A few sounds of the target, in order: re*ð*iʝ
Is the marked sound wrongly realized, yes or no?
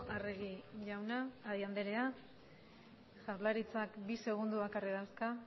yes